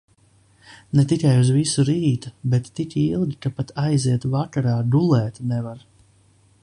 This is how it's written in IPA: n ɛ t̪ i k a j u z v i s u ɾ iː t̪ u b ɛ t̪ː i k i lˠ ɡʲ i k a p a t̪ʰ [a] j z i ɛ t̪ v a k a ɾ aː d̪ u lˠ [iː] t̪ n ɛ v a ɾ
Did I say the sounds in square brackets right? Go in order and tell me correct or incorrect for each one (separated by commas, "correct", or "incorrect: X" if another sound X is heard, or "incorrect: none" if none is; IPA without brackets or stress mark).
correct, incorrect: ɛː